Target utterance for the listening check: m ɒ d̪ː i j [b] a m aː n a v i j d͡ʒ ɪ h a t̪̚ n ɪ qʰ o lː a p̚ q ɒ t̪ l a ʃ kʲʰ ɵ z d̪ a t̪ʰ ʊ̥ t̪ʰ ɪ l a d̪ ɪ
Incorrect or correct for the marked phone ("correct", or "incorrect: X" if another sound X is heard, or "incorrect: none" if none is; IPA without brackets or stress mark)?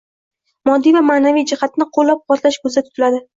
incorrect: v